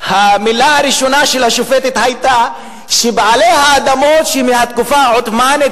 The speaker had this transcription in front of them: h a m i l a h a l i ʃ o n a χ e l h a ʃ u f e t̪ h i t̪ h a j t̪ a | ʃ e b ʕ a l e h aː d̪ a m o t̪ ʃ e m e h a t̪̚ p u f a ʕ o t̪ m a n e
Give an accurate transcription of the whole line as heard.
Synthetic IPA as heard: h a m i l a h a ɾ i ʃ o n a ʃ e l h a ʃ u f e t̪ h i t̪ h a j t̪ a | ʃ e b ʕ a l e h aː d̪ a m o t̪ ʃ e m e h a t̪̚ k u f a ʕ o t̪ m a n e